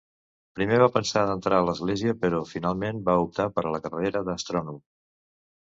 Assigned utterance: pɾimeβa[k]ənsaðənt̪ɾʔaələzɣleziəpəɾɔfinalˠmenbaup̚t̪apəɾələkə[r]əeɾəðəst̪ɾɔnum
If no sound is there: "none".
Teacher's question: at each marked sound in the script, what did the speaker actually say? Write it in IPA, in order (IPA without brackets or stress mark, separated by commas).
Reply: p, r